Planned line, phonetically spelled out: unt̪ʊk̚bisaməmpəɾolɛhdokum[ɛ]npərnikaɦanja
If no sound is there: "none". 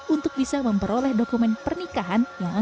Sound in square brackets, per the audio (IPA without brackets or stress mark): ɛ